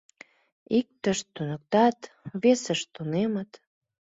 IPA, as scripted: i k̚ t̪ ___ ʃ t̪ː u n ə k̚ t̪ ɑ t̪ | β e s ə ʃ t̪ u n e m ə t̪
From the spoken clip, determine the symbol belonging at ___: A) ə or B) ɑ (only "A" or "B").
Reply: A